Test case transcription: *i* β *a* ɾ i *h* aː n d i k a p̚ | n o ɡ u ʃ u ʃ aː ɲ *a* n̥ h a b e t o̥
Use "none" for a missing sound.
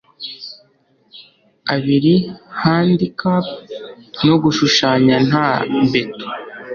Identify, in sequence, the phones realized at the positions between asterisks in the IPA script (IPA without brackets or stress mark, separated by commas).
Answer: a, i, h, a